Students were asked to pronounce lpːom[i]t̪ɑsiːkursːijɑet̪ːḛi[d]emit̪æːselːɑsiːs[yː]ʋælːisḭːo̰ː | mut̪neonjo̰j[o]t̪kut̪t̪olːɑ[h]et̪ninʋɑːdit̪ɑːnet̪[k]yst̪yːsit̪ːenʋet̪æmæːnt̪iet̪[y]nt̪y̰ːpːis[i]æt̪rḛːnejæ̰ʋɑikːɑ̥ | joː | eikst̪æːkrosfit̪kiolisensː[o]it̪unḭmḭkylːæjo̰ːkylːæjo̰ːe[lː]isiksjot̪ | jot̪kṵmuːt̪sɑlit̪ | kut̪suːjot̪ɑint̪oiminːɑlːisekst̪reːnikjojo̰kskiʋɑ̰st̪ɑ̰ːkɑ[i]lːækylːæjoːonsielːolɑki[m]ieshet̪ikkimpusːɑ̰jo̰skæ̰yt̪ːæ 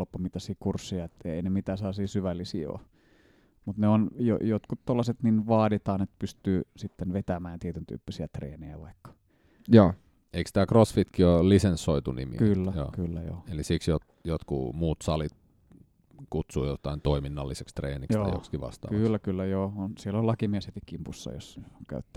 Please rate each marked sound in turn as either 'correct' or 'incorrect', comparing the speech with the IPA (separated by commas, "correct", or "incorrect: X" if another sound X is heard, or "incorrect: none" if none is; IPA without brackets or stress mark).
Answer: correct, incorrect: n, incorrect: y, correct, incorrect: s, incorrect: p, correct, correct, correct, incorrect: l, incorrect: y, correct